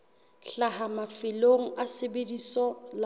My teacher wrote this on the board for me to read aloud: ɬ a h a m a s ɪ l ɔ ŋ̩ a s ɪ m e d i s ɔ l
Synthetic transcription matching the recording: ɬ a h a m a f ɪ l o ŋ̩ a s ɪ b e d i s ɔ l